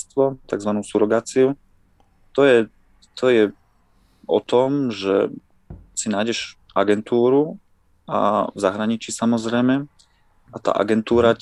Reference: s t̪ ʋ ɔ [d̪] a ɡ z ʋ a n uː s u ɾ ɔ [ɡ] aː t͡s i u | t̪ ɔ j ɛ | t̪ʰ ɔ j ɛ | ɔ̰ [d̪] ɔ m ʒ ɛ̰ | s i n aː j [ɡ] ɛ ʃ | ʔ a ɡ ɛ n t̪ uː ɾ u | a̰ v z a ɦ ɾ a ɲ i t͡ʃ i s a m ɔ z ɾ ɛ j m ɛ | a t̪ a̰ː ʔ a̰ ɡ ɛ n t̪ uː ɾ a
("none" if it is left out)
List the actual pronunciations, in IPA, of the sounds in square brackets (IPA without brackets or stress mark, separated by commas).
t̪, ɡ, t̪, ɟ